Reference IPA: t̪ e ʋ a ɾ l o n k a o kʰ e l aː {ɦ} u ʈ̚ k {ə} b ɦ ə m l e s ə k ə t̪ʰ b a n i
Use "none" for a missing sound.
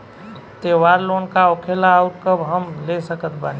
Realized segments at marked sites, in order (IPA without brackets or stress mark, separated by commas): none, ə